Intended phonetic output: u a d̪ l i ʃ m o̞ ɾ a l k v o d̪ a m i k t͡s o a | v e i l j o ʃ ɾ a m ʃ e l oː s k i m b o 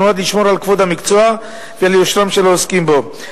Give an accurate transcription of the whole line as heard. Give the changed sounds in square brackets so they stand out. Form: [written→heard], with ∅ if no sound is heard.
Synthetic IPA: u a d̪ l i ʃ m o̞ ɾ a l k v o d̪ a m i k t͡s o a | v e [i→a] l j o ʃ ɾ a m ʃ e l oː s k i m b o